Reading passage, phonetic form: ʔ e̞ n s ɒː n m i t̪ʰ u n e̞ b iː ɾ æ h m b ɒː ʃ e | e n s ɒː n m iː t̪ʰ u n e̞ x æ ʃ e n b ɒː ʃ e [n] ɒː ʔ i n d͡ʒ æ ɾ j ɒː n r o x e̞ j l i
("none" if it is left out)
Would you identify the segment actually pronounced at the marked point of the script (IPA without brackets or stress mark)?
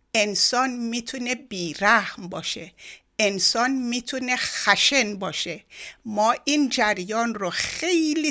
m